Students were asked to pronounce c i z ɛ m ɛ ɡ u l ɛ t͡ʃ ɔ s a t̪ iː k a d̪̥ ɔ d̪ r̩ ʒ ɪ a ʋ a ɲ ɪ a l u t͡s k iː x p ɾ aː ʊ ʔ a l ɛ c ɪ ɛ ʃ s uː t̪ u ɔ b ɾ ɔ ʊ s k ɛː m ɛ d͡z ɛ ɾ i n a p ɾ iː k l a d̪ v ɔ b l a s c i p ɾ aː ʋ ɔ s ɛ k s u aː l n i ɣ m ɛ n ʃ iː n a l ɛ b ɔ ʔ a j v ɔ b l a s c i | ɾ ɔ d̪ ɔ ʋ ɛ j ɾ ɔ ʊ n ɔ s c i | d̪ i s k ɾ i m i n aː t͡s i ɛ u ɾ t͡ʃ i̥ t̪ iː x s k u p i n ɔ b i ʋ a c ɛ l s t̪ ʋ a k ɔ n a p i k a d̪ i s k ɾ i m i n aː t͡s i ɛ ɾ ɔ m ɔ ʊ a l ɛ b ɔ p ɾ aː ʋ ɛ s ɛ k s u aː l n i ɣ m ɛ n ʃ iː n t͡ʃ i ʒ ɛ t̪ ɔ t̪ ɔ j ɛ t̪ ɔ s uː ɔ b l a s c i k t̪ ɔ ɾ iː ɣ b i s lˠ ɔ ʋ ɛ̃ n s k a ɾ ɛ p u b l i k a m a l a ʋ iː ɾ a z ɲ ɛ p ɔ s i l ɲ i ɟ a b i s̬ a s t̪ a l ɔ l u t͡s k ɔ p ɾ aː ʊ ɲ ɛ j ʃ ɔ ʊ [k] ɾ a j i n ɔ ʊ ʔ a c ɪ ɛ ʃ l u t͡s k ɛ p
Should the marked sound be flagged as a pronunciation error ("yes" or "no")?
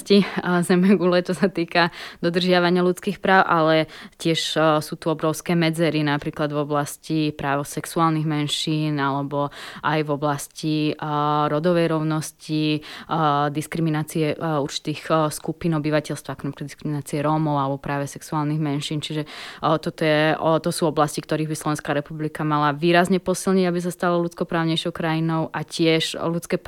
no